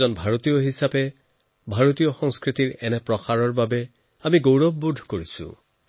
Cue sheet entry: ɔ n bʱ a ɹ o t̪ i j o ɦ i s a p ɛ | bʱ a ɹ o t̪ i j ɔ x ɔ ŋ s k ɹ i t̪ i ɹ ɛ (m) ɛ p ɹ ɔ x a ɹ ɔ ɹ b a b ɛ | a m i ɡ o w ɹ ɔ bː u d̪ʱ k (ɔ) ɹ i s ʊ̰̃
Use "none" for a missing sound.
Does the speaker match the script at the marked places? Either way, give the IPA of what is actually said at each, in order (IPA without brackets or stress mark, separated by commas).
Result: n, o